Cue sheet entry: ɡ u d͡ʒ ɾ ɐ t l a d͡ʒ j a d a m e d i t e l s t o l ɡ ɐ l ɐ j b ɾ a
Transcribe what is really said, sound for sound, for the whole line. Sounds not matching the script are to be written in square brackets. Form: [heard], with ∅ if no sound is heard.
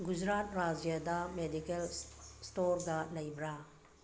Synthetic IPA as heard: ɡ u d͡ʒ ɾ [a] t [ɾ] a d͡ʒ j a d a m e d i [k] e l s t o [ɾ] ɡ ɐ l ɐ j b ɾ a